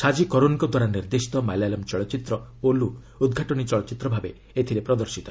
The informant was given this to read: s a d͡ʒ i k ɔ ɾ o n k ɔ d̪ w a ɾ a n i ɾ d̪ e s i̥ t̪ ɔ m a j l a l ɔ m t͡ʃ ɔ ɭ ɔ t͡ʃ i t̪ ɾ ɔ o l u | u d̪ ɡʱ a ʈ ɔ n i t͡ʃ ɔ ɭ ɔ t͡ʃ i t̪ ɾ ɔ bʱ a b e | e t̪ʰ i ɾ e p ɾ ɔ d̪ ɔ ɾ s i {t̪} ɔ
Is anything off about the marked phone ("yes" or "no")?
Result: no